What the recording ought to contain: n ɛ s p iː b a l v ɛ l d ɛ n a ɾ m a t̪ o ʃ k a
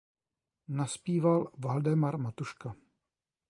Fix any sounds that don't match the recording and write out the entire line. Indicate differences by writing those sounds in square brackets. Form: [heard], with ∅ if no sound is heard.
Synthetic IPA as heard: n [a] s p iː [v] a l v [a] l d ɛ [m] a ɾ m a t̪ [u] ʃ k a

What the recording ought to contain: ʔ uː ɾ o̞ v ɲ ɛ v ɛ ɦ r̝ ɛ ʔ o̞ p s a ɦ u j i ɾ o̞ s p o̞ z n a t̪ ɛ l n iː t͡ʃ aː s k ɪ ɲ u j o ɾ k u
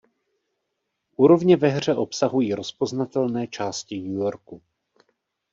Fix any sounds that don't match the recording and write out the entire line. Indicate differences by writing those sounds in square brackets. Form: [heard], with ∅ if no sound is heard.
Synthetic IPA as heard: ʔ uː ɾ o̞ v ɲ ɛ v ɛ ɦ r̝ ɛ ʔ o̞ p s a ɦ u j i ɾ o̞ s p o̞ z n a t̪ ɛ l n [ɛː] t͡ʃ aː s [c] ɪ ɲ u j o ɾ k u

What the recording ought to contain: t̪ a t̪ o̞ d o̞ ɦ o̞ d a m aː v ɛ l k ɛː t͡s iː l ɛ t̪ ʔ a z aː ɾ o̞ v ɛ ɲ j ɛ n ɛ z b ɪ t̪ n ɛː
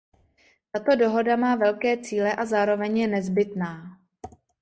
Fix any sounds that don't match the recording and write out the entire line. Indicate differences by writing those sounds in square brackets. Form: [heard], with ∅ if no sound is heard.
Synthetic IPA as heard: t̪ a t̪ o̞ d o̞ ɦ o̞ d a m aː v ɛ l k ɛː t͡s iː l ɛ [∅] ʔ a z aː ɾ o̞ v ɛ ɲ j ɛ n ɛ z b ɪ t̪ n [aː]

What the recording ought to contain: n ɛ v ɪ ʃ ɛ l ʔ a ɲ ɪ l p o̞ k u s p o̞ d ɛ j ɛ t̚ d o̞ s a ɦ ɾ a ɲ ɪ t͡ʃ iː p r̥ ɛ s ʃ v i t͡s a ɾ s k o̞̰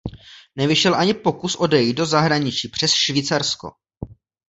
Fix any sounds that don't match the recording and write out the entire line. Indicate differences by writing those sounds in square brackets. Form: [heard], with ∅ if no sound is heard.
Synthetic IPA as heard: n ɛ v ɪ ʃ ɛ l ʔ a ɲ ɪ [∅] p o̞ k u s [ʔ] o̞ d ɛ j [i] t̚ d o̞ [z] a ɦ ɾ a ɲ ɪ t͡ʃ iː p r̥ ɛ s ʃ v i t͡s a ɾ s k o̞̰

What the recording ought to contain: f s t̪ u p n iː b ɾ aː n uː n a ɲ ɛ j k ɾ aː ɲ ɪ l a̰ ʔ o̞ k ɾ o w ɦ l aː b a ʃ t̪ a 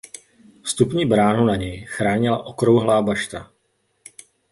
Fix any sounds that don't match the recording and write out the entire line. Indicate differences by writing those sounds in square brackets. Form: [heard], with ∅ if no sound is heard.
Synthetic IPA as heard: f s t̪ u p [ɲ] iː b ɾ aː n [u] n a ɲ ɛ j [x] ɾ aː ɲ ɪ l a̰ ʔ o̞ k ɾ o w ɦ l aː b a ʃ t̪ a

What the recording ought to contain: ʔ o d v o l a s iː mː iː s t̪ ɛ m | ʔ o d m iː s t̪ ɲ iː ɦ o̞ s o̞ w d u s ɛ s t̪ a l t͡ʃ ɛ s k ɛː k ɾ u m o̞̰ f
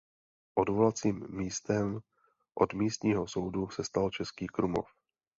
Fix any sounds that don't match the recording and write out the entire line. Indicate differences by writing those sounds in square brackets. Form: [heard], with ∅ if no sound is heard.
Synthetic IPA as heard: ʔ o d v o l a [t͡s] iː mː iː s t̪ ɛ m | ʔ o d m iː s t̪ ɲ iː ɦ o̞ s o̞ w d u s ɛ s t̪ a l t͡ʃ ɛ s k [iː] k ɾ u m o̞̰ f

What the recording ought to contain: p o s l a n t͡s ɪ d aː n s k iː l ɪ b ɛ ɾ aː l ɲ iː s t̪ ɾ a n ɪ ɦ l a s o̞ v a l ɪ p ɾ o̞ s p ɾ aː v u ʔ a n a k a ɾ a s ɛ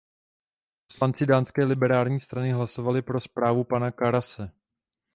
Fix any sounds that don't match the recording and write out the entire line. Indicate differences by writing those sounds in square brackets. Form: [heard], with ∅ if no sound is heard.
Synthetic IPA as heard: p o s l a n t͡s ɪ d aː n s k [ɛː] l ɪ b ɛ ɾ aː l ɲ iː s t̪ ɾ a n ɪ ɦ l a s o̞ v a l ɪ p ɾ o̞ s p ɾ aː v u [p] a n a k a ɾ a s ɛ

